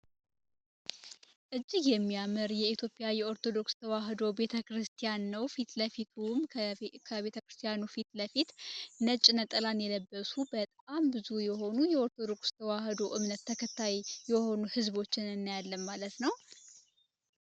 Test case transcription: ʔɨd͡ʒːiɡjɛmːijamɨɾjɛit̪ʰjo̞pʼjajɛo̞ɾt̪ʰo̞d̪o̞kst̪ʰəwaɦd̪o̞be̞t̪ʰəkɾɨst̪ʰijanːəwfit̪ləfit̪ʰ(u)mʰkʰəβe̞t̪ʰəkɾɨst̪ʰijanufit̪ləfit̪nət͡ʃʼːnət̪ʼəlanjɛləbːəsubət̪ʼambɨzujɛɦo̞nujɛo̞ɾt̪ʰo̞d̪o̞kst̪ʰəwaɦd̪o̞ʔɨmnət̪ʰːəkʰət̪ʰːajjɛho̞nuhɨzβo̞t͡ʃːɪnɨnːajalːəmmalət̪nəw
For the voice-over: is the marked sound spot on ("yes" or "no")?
yes